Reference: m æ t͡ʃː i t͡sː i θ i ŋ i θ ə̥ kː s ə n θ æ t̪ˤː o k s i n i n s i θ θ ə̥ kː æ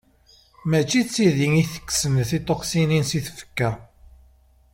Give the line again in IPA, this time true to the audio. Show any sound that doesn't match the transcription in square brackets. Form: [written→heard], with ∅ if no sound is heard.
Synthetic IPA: m æ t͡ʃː i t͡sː i [θ→ð] i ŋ i θ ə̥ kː s ə n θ [æ→i] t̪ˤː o [k→q] s i n i n s i θ [θ→f] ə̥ kː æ